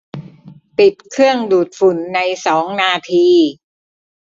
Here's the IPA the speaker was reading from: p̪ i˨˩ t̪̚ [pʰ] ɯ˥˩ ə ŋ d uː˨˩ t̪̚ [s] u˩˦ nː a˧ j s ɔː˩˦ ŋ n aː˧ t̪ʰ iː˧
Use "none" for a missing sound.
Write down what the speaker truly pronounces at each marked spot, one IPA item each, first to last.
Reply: kʰ, f

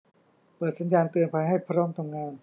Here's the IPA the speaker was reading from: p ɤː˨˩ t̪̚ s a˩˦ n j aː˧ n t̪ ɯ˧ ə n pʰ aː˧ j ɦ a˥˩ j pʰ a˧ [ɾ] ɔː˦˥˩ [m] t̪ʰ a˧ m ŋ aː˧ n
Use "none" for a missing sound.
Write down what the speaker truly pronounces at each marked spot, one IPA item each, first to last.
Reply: ɾ, m

